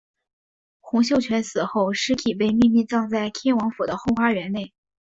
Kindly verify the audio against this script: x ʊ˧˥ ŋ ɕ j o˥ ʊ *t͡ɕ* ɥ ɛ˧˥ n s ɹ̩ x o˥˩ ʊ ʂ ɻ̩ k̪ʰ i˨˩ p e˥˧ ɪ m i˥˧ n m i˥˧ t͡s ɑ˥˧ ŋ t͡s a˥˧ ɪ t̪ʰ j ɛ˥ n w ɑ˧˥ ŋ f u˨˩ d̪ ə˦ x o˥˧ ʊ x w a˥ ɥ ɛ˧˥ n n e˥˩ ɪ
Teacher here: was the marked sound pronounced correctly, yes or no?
no